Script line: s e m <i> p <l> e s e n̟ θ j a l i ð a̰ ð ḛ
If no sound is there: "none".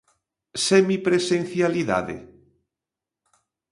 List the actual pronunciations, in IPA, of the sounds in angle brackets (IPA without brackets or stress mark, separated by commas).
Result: i, ɾ